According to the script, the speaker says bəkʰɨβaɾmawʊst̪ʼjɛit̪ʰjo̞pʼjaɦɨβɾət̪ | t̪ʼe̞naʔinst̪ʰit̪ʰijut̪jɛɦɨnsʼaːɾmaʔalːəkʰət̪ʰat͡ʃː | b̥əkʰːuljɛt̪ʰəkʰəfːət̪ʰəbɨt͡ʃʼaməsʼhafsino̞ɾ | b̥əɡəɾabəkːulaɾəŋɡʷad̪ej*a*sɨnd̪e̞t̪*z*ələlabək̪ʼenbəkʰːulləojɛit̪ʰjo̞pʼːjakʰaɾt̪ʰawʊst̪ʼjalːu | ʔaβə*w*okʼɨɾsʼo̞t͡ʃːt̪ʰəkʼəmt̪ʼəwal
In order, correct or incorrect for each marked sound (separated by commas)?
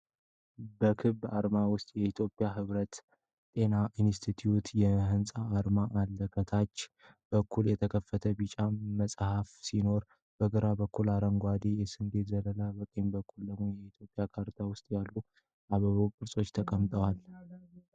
incorrect, correct, incorrect